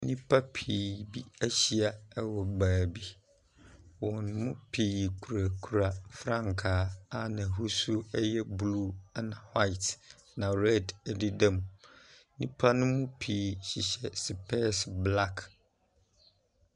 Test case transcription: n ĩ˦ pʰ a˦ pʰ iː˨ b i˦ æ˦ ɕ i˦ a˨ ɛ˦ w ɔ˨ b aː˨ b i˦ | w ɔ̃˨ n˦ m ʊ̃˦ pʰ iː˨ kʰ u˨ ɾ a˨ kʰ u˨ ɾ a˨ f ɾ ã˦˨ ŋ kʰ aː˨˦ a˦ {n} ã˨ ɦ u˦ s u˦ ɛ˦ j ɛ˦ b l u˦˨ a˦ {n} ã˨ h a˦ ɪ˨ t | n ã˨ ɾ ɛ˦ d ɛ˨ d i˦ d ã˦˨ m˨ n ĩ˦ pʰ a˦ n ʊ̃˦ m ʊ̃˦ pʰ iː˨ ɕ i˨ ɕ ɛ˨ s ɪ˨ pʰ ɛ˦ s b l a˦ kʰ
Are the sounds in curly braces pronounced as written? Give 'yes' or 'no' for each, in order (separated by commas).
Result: yes, yes